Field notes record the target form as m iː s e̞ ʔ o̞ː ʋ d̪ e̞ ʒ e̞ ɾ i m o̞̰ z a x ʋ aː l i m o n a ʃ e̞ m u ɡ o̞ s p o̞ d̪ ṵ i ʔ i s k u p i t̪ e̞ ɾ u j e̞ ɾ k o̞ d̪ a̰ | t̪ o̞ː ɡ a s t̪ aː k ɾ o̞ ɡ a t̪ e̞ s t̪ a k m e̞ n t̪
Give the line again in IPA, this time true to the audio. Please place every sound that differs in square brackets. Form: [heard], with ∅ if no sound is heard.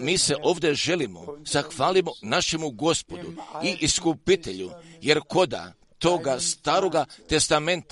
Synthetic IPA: m iː s e̞ ʔ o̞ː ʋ d̪ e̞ ʒ e̞ [l] i m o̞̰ z a x ʋ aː l i m o n a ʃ e̞ m u ɡ o̞ s p o̞ d̪ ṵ i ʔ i s k u p i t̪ e̞ [ʎ] u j e̞ ɾ k o̞ d̪ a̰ | t̪ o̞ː ɡ a s t̪ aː [∅] ɾ o̞ ɡ a t̪ e̞ s t̪ a [∅] m e̞ n t̪